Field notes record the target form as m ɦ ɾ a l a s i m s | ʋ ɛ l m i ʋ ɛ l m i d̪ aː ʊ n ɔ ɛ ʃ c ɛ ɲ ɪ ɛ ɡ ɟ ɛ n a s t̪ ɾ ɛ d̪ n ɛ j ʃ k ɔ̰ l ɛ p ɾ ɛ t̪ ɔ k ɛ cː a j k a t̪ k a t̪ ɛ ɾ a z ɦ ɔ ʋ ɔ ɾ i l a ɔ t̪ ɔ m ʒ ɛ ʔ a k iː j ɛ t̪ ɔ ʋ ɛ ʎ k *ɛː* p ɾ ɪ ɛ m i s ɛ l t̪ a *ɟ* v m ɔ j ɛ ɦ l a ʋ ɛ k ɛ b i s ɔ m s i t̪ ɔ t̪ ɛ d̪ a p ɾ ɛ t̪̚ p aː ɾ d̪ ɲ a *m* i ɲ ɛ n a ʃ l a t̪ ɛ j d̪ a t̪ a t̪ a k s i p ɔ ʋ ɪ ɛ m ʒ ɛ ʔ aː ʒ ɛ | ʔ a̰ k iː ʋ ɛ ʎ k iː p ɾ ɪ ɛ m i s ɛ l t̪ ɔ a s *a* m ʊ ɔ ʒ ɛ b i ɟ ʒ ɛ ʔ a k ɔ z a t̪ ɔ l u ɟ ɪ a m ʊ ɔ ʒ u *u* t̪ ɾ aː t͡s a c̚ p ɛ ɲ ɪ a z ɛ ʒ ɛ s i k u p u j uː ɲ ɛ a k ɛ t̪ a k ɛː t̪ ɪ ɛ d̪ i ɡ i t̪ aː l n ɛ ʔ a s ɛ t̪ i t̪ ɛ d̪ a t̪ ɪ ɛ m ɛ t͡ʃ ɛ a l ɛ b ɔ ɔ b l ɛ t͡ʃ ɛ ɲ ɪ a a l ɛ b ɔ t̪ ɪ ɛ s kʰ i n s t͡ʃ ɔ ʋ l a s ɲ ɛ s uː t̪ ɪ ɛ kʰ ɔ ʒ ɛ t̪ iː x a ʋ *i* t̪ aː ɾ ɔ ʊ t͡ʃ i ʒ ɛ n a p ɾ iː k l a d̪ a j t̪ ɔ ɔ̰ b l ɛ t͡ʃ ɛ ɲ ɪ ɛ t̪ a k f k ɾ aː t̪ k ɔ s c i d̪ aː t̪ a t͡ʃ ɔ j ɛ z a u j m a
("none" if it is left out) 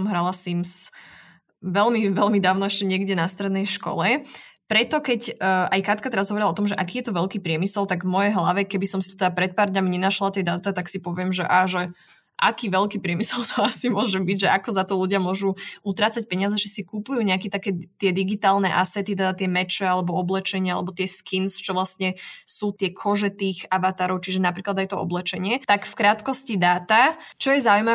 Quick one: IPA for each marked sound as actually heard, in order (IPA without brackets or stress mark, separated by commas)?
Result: iː, ɡ, m, i, u, a